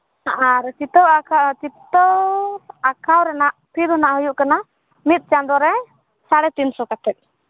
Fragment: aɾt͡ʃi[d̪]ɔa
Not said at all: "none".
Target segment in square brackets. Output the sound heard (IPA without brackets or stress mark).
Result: t̪